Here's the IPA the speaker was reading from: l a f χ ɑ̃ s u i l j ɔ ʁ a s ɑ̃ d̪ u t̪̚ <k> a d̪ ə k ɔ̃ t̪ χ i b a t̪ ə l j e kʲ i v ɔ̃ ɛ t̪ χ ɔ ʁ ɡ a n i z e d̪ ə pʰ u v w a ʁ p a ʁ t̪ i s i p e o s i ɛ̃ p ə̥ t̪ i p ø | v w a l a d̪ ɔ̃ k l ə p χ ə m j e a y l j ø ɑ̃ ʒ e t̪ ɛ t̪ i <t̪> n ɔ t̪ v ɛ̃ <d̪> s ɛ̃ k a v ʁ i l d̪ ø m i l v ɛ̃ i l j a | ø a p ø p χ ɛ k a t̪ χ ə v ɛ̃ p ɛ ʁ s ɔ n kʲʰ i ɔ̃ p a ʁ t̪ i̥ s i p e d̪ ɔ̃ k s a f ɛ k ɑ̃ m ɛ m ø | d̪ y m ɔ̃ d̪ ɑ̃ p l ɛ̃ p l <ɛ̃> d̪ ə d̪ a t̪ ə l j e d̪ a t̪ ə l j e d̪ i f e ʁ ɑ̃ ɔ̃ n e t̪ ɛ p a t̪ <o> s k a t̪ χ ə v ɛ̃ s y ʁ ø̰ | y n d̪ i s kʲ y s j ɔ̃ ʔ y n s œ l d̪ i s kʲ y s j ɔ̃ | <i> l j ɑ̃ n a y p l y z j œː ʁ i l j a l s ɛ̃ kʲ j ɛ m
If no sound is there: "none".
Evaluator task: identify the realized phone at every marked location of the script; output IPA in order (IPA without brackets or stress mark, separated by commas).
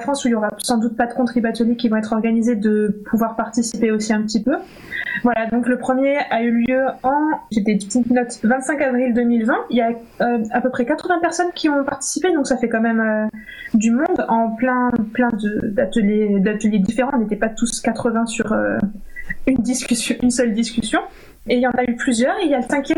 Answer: p, t̪, t̪, ɛ̃, u, e